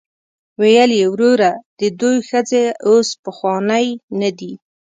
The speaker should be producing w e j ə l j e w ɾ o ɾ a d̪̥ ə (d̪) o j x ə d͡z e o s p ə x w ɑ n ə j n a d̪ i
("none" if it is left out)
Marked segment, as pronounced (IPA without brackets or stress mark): d̪